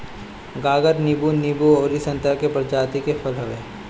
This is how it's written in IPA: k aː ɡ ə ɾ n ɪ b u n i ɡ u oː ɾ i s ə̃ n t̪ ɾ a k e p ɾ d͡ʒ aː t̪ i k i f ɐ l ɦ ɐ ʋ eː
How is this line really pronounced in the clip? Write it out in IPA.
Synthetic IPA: ɡ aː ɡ ə ɾ n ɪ b u n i b u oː ɾ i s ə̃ n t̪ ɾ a k e p ɾ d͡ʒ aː t̪ i k e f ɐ l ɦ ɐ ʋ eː